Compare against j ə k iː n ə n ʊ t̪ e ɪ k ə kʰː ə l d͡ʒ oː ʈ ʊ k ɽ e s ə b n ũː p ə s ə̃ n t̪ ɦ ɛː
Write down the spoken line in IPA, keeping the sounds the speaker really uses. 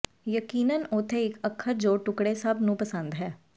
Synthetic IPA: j ə k iː n ə n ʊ t̪ʰ e ɪ k ə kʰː ə ɾ d͡ʒ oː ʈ ʊ k ɽ e s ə b n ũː p ə s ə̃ n d̪ ɦ ɛː